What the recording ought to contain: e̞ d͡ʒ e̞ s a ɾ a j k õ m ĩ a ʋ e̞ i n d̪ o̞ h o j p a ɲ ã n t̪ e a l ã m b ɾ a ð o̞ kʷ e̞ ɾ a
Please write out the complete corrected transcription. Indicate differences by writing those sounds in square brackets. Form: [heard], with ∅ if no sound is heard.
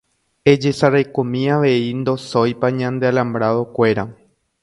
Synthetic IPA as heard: e̞ d͡ʒ e̞ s a ɾ a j k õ m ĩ a ʋ e̞ i n d̪ o̞ [s] o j p a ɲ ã n [d̪] e a l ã m b ɾ a ð o̞ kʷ e̞ ɾ a